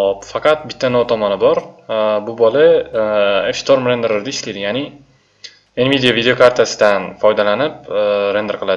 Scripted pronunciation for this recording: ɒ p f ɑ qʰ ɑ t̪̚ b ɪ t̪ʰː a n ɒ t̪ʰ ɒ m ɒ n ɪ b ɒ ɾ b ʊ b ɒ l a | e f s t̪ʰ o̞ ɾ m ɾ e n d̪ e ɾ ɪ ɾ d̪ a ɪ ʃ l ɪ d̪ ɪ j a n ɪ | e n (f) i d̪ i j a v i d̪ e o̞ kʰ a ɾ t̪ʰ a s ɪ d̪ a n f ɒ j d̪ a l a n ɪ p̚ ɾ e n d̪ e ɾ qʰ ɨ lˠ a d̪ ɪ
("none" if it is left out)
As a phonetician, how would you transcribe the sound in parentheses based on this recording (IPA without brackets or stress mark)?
v